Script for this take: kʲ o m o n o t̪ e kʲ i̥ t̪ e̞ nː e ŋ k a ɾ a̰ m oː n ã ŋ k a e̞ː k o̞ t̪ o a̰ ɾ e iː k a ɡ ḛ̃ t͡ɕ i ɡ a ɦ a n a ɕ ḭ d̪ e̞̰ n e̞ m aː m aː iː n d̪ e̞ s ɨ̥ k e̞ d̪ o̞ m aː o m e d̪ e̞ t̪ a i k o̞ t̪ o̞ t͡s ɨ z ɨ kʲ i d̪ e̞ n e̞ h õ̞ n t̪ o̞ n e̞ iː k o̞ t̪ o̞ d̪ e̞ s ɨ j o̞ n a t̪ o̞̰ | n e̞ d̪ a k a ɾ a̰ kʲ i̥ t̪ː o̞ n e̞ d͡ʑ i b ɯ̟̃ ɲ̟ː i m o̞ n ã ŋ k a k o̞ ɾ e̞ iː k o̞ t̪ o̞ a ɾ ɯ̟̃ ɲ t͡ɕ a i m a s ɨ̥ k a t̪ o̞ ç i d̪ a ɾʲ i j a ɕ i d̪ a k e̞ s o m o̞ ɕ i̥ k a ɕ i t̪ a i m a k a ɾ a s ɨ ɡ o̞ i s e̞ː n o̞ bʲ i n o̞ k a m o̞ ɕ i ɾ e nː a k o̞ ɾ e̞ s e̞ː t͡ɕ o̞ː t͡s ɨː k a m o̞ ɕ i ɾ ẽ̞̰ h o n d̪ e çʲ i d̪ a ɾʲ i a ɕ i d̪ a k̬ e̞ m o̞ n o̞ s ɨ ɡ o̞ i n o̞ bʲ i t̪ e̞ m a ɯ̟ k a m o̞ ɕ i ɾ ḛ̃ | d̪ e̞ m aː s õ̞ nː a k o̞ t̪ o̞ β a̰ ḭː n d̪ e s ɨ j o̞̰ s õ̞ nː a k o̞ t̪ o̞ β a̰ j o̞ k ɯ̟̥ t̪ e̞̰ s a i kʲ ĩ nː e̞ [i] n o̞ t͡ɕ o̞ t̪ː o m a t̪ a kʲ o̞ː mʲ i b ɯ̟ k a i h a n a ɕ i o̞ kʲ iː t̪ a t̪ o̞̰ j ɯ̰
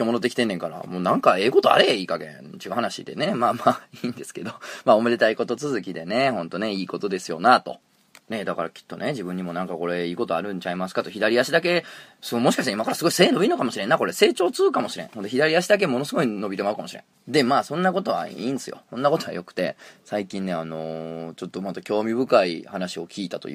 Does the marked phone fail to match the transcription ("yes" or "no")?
yes